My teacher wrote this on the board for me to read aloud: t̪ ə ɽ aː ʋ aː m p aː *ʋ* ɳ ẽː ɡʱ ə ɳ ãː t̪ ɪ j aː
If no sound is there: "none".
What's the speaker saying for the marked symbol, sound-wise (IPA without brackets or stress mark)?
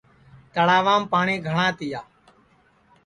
none